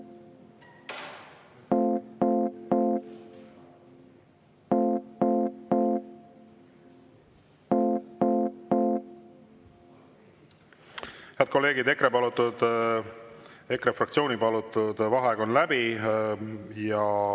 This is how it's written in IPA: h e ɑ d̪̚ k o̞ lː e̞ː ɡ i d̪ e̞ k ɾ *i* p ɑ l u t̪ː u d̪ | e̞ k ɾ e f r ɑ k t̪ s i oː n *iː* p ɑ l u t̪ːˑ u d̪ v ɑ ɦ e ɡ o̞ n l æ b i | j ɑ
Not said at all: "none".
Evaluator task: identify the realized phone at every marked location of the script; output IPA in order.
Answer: e, i

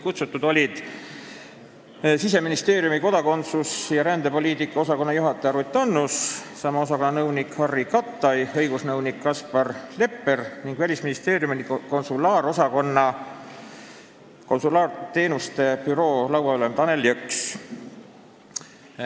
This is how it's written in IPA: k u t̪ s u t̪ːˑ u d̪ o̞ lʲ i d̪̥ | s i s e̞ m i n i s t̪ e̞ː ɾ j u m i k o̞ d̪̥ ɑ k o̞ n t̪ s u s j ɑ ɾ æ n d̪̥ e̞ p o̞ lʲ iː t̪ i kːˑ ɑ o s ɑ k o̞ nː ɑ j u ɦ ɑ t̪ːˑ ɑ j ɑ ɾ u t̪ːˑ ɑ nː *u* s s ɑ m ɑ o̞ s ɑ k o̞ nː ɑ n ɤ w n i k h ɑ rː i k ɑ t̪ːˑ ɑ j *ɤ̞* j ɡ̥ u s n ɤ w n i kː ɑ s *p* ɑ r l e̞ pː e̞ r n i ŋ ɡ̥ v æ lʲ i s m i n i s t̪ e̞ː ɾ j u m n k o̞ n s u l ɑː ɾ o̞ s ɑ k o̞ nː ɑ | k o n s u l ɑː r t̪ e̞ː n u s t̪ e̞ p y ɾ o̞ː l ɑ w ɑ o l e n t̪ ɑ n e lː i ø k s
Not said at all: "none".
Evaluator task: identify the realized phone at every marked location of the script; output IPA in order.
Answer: u, ɤ̞, p

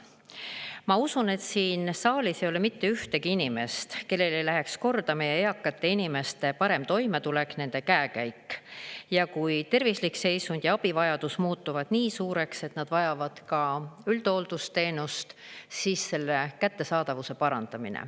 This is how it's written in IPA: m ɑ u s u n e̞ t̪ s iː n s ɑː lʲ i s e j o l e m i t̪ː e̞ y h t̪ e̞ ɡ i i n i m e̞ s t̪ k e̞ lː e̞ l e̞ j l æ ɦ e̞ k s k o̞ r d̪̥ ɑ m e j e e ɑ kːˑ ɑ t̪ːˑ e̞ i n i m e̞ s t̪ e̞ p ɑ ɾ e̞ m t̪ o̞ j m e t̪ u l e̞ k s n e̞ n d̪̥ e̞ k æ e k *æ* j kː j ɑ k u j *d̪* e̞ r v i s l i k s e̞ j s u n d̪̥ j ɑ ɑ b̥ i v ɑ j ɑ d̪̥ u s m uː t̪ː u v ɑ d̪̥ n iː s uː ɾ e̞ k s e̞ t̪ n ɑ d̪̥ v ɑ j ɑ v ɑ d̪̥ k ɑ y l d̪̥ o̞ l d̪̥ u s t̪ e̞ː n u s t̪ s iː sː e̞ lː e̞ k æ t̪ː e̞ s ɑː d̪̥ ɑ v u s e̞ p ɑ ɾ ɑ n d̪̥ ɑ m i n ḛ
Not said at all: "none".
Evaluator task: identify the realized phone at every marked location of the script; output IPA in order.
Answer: æ, t̪

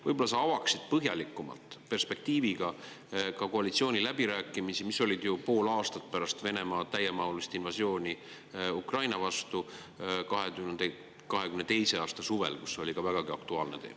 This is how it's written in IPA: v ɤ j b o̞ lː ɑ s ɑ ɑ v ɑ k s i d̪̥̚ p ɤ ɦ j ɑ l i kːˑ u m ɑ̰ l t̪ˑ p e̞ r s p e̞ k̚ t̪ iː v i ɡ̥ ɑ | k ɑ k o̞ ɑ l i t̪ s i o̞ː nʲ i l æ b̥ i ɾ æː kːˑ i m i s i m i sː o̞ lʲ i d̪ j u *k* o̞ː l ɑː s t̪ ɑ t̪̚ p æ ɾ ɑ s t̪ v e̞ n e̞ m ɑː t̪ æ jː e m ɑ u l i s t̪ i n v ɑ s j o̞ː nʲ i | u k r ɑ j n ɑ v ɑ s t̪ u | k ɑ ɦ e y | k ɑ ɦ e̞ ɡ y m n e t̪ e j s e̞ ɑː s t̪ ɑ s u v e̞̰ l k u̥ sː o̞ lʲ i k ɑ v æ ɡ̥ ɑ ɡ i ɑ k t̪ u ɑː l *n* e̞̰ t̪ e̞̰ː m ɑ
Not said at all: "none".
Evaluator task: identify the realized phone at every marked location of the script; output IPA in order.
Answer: p, n

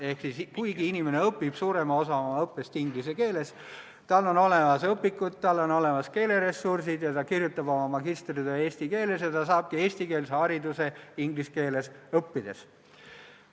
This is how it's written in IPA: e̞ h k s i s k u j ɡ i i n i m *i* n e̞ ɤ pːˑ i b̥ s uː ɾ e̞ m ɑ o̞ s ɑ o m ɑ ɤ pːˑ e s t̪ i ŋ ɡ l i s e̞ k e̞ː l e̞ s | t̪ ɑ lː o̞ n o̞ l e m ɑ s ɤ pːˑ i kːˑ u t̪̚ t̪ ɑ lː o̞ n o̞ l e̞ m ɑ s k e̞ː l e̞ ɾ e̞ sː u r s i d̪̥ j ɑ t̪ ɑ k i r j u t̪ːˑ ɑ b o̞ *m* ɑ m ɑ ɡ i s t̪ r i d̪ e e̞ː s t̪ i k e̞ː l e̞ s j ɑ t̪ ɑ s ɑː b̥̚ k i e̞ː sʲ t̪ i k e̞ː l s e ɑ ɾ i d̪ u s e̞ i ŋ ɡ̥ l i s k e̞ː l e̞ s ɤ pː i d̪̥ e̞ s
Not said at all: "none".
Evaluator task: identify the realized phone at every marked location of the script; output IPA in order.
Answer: e, m

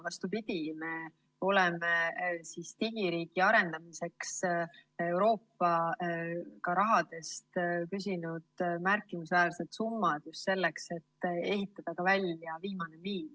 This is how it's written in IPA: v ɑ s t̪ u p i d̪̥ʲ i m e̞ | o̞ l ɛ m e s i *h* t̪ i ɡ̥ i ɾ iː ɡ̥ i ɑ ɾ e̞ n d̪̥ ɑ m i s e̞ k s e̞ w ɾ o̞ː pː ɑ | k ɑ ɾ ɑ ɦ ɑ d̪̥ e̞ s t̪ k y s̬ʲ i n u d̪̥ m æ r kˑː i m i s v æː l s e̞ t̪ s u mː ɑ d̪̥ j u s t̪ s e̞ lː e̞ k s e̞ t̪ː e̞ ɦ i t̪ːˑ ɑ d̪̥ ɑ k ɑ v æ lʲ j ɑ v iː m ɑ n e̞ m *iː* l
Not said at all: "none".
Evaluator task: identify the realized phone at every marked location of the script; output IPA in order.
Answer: s, iː

